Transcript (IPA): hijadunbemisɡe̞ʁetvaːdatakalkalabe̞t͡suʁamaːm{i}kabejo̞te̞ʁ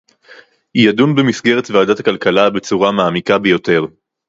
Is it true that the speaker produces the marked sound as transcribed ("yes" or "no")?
yes